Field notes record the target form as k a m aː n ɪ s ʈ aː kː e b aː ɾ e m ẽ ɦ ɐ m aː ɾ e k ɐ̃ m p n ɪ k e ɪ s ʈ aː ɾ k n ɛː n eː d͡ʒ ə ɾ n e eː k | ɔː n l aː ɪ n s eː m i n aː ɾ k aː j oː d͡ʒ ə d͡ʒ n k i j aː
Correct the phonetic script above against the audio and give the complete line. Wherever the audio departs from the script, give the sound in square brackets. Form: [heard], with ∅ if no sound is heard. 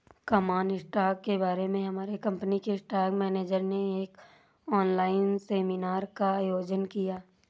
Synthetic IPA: k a m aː n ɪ s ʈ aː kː e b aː ɾ e m ẽ ɦ ɐ m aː ɾ e k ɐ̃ m p n [i] k e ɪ s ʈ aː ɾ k [m] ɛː n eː d͡ʒ ə ɾ n e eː k | ɔː n l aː ɪ n s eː m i n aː ɾ k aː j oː d͡ʒ ə [∅] n k i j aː

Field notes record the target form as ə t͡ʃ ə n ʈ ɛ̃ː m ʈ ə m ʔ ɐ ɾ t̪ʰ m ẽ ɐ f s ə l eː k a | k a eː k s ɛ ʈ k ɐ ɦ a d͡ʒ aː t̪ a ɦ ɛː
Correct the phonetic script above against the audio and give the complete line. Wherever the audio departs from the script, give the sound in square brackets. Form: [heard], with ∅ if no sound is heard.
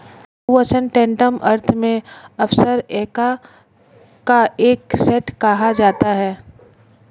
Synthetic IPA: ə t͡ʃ ə n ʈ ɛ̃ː [ɳ] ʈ ə m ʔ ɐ ɾ t̪ʰ m ẽ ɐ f s ə [ɾ] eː k a | k a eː k s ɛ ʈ k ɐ ɦ a d͡ʒ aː t̪ a ɦ ɛː

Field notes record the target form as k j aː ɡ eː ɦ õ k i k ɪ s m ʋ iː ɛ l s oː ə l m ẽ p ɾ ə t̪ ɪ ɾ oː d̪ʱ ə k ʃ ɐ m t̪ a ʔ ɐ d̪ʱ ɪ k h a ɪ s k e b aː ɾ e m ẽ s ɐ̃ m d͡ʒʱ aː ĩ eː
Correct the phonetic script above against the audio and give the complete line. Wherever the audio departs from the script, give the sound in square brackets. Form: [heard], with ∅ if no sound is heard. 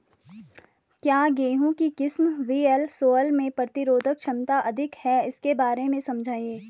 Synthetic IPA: k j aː ɡ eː ɦ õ k i k ɪ s m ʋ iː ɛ l s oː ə l m ẽ p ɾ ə t̪ ɪ ɾ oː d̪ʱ ə k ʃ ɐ m t̪ a ʔ ɐ d̪ʱ ɪ k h [ɛ] ɪ s k e b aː ɾ e m ẽ s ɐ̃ m d͡ʒʱ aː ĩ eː

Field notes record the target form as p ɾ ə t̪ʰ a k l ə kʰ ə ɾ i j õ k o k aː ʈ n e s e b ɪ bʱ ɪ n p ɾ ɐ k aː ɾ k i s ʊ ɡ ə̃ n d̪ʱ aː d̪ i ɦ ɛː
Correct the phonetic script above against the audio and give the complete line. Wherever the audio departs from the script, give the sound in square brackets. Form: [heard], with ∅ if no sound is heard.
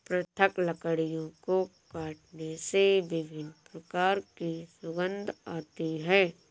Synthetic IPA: p ɾ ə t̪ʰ [ə] k l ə [k] ə [ɽ] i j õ k o k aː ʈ n e s e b ɪ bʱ ɪ n p ɾ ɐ k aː ɾ k i s ʊ ɡ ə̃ n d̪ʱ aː [t̪] i ɦ ɛː

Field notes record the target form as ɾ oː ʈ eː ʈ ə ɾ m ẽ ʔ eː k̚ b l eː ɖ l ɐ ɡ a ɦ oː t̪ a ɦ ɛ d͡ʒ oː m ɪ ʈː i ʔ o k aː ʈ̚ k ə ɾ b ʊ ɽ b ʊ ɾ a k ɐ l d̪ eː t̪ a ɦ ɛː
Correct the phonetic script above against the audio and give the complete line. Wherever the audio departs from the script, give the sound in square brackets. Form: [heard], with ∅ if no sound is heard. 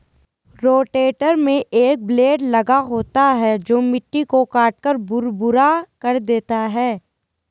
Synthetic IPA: ɾ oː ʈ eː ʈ ə ɾ m ẽ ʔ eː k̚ b l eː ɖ l ɐ ɡ a ɦ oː t̪ a ɦ ɛ d͡ʒ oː m ɪ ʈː i [k] o k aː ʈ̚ k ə ɾ b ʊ [ɾ] b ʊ ɾ a k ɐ [ɾ] d̪ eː t̪ a ɦ ɛː

